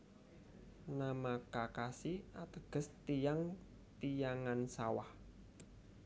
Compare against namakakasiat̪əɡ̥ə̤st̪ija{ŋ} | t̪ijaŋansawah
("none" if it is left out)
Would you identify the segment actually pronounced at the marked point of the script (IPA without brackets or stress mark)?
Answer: ŋ